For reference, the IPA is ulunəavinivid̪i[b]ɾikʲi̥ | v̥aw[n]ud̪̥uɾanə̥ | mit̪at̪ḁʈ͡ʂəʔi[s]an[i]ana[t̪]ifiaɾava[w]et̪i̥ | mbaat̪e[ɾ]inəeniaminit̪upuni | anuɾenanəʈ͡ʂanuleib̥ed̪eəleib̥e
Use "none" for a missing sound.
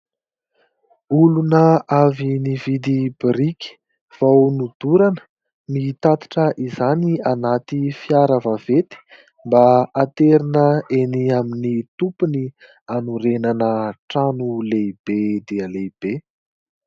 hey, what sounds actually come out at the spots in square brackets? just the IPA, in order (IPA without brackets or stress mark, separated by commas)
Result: b, n, z, i, t̪, v, ɾ